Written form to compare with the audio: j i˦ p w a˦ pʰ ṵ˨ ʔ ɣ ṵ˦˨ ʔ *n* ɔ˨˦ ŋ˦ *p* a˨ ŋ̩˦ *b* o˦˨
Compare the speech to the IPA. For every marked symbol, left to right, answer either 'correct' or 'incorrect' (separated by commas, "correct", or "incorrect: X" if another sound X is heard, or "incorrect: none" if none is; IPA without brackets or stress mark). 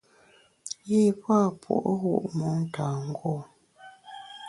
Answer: incorrect: m, incorrect: t, incorrect: ɡ